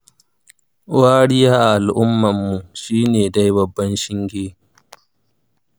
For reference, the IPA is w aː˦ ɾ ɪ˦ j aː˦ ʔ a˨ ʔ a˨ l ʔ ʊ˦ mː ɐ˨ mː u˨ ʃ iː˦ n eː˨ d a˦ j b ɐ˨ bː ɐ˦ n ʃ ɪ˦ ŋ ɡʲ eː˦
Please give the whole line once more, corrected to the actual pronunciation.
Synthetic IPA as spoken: w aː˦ ɽ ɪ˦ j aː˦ ʔ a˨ ʔ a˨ l ʔ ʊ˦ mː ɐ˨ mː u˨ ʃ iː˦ n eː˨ d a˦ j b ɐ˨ bː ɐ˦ n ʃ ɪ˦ ŋ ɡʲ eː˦